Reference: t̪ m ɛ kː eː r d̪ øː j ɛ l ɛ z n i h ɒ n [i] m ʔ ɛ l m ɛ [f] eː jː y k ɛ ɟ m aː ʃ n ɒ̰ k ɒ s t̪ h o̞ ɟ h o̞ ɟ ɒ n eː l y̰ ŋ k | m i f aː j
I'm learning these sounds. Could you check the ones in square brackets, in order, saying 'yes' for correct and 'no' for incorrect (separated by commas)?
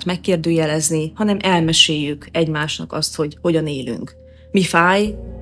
no, no